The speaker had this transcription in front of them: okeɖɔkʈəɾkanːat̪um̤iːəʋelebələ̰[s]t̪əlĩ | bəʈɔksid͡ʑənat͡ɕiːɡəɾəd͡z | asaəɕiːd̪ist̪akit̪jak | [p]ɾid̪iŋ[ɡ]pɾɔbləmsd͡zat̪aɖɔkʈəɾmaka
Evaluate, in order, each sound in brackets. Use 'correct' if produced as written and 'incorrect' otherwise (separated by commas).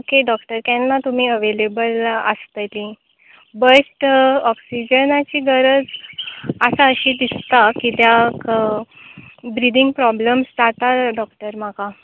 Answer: correct, incorrect, correct